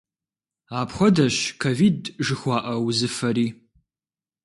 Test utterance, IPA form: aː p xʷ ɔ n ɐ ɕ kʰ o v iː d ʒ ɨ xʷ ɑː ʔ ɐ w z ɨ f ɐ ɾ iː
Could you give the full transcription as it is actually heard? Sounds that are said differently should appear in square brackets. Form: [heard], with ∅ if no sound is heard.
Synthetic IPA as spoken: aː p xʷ ɔ [d] ɐ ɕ kʰ o v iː d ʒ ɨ xʷ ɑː ʔ ɐ w z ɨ f ɐ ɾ iː